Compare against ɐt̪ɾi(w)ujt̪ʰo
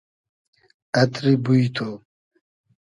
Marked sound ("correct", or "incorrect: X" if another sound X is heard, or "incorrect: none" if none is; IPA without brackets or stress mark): incorrect: b